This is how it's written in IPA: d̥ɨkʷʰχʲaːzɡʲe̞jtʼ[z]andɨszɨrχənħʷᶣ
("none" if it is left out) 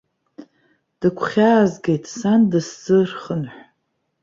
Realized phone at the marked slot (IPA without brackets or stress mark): s